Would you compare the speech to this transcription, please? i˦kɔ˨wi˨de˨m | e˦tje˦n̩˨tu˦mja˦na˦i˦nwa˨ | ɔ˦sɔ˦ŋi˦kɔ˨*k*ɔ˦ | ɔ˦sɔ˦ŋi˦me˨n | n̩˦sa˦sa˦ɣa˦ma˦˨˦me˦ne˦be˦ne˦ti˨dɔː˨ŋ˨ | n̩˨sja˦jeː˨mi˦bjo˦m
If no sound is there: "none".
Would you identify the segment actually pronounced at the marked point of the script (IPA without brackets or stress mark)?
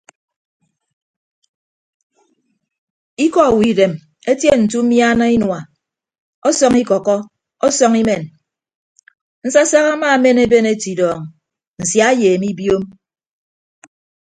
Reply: k